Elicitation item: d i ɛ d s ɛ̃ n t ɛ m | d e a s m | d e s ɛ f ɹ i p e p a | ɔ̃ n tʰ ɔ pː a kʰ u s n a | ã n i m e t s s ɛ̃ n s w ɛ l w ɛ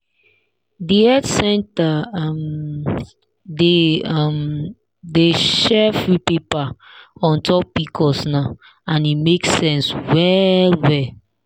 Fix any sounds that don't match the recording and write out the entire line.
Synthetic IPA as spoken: d i ɛ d s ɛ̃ n t a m | d e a m | d e ʃ ɛ f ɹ i p e p a | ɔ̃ n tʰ ɔ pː i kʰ ɔ s n a | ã n i m e k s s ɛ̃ n s w ɛ l w ɛ

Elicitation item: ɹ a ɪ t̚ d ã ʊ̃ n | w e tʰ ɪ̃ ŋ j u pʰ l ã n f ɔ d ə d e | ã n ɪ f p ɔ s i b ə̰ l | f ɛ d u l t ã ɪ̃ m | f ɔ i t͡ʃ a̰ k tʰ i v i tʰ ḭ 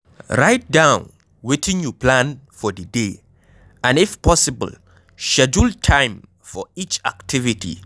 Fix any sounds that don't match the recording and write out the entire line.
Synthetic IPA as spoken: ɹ a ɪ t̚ d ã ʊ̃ n | w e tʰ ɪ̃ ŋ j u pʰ l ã n f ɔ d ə d e | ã n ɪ f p ɔ s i b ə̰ l | ʃ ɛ d͡ʒ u l tʰ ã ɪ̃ m | f ɔ i t͡ʃ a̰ k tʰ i v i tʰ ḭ

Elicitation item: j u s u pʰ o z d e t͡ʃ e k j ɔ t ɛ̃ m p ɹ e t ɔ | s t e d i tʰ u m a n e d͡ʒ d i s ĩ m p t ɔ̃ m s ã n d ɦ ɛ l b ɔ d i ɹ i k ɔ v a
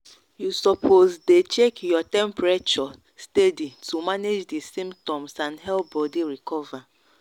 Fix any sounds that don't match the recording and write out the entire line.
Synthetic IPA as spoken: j u s ɔ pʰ o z d e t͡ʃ e k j ɔ t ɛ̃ m p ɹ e t͡ʃ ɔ | s t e d i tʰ u m a n e d͡ʒ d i s ĩ m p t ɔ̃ m s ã n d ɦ ɛ l b ɔ d i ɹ i k ɔ v a

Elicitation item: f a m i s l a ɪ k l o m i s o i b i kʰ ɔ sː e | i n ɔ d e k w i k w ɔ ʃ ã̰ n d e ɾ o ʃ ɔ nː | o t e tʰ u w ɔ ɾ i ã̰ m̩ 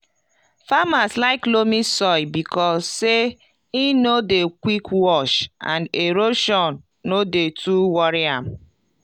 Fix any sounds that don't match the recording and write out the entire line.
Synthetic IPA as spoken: f a m a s l a ɪ k l o m i s ɔ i b i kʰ ɔ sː e | i n o d e k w i k w ɔ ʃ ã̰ n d e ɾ o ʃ ɔ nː | o d e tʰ u w ɔ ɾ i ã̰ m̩

